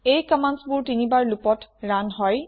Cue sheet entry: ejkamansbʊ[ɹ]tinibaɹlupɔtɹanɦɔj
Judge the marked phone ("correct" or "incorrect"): correct